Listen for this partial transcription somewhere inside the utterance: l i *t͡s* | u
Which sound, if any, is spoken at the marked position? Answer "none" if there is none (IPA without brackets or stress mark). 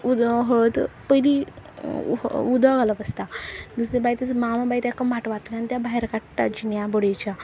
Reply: none